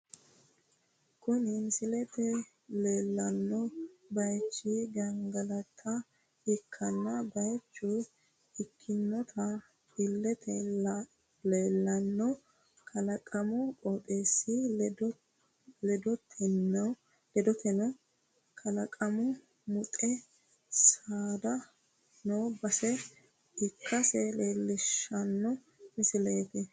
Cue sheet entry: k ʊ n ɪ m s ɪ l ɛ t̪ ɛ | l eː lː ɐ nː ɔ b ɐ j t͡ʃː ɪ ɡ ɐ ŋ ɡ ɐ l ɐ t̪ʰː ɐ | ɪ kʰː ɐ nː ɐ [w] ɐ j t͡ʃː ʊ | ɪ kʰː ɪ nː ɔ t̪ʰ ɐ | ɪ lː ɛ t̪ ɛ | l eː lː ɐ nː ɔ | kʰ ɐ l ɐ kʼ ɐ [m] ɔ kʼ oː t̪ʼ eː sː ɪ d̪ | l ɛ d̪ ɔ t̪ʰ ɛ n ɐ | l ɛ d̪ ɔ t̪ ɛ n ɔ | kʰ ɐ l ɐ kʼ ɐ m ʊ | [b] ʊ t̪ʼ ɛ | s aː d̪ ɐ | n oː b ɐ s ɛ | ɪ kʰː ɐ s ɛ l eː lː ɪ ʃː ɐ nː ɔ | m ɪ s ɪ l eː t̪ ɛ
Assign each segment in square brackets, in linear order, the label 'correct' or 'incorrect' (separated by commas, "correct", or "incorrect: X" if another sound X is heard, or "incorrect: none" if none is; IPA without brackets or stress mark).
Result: incorrect: b, correct, incorrect: m